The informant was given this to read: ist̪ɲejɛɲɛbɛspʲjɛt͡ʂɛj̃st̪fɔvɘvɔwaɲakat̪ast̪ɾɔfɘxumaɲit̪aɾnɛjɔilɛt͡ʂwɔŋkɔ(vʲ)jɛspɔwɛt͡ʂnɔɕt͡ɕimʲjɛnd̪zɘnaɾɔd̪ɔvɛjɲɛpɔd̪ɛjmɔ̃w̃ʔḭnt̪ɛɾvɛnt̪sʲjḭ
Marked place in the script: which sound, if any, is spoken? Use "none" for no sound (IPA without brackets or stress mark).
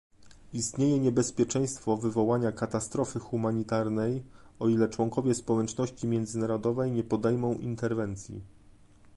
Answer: vʲ